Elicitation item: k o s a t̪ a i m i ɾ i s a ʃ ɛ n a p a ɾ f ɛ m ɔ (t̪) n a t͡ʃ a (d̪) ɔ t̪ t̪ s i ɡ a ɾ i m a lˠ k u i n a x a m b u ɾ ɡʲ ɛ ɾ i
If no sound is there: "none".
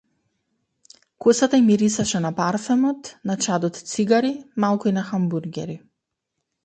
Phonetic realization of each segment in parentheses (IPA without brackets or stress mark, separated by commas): t̪, d̪